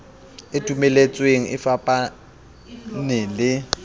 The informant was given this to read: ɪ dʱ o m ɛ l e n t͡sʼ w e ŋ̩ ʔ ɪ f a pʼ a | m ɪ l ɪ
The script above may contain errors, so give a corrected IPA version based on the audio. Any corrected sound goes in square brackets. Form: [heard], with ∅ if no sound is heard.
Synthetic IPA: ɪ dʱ [u] m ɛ l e [∅] t͡sʼ w e ŋ̩ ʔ ɪ f a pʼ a | [n] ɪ l ɪ